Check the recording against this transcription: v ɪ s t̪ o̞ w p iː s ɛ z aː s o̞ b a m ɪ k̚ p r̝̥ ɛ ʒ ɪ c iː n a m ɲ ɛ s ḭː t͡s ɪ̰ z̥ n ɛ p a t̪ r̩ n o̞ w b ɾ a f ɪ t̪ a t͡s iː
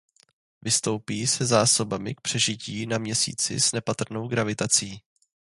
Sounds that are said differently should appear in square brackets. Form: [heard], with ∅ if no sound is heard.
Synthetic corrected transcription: v ɪ s t̪ o̞ w p iː s ɛ z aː s o̞ b a m ɪ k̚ p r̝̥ ɛ ʒ ɪ c iː n a m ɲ ɛ s ḭː t͡s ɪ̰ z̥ n ɛ p a t̪ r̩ n o̞ w [ɡ] ɾ a [v] ɪ t̪ a t͡s iː